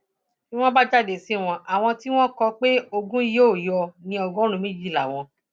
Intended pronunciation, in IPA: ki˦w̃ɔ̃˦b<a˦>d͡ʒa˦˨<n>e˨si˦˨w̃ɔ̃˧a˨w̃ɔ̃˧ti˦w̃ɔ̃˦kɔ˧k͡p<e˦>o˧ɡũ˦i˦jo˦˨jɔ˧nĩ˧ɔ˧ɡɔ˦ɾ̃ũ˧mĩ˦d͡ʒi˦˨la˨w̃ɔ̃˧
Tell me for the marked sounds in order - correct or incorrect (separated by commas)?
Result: correct, incorrect, correct